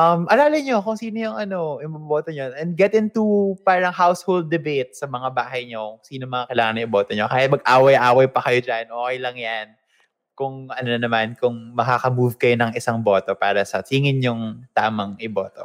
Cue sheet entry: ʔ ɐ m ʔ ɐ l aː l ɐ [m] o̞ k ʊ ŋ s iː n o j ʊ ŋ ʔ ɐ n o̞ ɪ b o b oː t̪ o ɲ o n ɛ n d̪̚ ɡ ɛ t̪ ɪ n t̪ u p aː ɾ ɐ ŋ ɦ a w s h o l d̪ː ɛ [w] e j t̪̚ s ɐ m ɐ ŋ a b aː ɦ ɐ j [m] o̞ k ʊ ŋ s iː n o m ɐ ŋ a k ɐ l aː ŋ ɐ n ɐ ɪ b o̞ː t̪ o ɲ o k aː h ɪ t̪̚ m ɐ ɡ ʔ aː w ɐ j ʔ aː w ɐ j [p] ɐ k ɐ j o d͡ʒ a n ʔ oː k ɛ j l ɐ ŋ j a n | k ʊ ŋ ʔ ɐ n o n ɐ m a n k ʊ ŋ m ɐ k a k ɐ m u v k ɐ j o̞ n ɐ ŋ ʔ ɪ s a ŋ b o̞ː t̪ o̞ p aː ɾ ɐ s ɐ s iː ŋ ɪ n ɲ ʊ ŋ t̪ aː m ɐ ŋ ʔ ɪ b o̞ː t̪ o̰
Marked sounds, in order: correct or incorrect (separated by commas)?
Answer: incorrect, incorrect, incorrect, correct